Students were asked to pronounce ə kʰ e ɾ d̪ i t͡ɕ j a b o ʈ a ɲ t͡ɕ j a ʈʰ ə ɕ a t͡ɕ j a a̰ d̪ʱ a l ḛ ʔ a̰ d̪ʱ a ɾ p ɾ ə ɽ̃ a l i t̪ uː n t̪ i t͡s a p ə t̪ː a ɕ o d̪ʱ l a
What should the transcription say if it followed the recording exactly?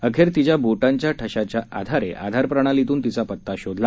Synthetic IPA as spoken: ə kʰ e ɾ t̪ i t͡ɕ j a b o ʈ a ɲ t͡ɕ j a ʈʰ ə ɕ a t͡ɕ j a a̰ d̪ʱ a ɾ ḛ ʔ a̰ d̪ʱ a ɾ p ɾ ə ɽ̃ a l i t̪ uː n t̪ i t͡s a p ə t̪ː a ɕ o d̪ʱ l a